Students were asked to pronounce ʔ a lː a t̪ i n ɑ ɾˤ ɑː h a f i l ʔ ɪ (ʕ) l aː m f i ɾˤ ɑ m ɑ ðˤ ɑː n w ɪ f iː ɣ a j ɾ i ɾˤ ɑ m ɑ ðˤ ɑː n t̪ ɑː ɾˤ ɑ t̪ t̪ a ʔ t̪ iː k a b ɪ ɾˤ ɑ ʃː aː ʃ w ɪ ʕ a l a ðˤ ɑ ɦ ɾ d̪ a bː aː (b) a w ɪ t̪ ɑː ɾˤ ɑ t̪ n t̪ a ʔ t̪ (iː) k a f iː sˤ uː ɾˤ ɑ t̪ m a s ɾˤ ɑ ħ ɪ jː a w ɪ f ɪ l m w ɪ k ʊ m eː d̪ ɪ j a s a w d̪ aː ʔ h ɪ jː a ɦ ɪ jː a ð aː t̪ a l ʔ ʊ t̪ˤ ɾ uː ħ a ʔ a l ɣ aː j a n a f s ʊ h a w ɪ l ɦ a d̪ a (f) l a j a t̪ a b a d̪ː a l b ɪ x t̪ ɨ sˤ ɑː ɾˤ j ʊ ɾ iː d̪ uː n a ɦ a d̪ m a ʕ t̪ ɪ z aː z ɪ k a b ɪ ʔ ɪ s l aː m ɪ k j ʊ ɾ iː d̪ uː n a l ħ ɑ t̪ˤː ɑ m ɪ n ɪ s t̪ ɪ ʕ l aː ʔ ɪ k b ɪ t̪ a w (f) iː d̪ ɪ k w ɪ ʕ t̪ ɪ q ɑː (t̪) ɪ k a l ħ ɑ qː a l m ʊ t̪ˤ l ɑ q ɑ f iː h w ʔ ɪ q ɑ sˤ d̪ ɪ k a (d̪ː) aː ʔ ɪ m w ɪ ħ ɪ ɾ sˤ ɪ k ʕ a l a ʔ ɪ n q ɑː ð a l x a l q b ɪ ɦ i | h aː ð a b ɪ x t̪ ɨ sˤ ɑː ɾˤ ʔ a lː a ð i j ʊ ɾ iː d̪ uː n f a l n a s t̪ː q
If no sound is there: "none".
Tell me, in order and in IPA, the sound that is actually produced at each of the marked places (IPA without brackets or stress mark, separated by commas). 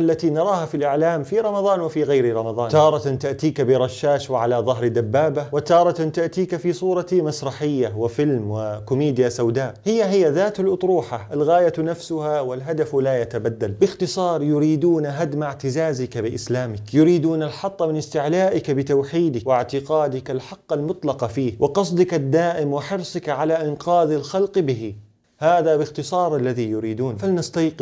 ʕ, b, iː, f, ħ, d̪, d̪ː